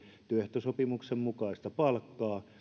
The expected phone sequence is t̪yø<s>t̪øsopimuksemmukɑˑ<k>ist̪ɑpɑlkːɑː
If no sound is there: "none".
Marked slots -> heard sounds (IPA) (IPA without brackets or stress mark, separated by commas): h, none